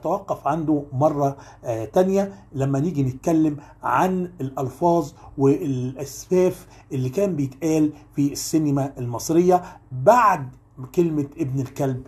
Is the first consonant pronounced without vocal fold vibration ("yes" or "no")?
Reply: yes